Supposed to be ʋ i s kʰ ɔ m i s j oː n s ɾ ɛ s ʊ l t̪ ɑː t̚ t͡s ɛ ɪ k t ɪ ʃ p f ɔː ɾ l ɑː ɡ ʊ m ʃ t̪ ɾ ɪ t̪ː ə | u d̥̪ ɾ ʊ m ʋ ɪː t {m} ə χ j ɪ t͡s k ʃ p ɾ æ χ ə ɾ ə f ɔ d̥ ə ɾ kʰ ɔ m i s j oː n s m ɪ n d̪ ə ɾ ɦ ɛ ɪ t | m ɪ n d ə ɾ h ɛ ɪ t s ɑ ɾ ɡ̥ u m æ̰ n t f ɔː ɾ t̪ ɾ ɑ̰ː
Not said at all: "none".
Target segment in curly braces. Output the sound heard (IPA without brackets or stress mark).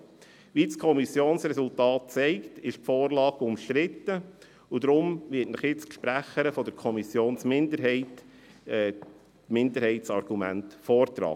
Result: n